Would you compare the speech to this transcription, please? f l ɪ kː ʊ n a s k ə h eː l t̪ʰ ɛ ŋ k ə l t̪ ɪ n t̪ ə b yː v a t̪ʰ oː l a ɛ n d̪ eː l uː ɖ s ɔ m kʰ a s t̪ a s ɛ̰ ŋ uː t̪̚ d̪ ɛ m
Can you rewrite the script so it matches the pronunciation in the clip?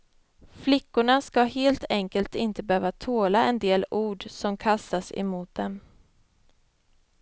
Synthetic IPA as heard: f l ɪ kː ʊ ɳ a s k a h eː l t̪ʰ ɛ ŋ k ə l t̪ ɪ n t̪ ə b øː v a t̪ʰ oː l a ɛ n d̪ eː l uː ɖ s ɔ m kʰ a s t̪ a s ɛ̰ m uː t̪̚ d̪ ɛ m